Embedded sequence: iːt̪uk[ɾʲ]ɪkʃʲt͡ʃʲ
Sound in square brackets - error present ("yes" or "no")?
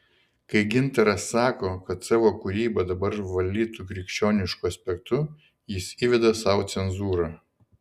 no